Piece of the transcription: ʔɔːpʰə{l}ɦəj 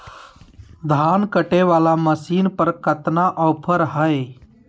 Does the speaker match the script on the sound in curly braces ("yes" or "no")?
no